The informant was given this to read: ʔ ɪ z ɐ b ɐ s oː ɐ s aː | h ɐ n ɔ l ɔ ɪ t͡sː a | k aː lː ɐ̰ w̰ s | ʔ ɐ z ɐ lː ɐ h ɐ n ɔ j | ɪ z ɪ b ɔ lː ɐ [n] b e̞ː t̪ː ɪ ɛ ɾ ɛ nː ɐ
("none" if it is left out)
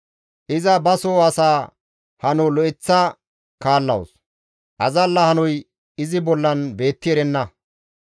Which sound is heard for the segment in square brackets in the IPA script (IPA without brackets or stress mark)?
n